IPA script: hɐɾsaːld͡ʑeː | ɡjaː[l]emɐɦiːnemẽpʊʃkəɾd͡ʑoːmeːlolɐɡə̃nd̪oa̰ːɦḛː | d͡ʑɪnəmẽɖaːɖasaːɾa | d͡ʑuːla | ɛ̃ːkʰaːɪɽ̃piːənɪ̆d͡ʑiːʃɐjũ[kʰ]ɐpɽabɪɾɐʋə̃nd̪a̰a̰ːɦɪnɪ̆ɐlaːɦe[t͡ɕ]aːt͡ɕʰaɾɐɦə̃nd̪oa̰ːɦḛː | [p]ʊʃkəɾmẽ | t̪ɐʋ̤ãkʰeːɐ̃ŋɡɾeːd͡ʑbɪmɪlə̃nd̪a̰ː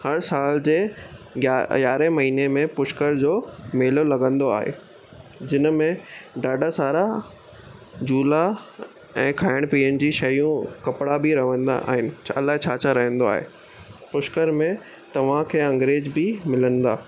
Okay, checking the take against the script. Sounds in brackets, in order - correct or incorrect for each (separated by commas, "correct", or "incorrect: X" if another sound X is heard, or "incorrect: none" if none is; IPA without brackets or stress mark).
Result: incorrect: ɾ, incorrect: k, incorrect: t͡ɕʰ, correct